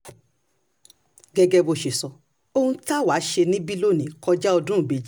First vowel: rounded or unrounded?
unrounded